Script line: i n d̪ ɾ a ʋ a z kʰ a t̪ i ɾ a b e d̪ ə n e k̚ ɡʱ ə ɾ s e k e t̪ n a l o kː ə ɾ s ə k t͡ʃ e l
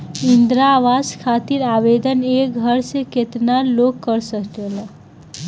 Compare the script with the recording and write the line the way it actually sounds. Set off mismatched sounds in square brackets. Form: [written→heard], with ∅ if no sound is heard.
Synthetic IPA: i n d̪ ɾ a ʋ a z kʰ a t̪ i ɾ a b e d̪ ə n e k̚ ɡʱ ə ɾ s e k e t̪ n a l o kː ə ɾ s ə k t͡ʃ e l